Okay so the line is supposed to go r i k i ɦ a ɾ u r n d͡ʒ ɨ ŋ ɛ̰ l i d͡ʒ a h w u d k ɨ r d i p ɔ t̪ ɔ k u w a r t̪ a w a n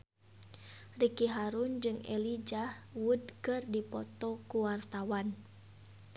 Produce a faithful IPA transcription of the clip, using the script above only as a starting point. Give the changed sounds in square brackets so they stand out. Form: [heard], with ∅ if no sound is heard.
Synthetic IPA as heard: r i k i ɦ a ɾ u [∅] n d͡ʒ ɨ ŋ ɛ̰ l i d͡ʒ a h w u d k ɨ r d i p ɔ t̪ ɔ k u w a r t̪ a w a n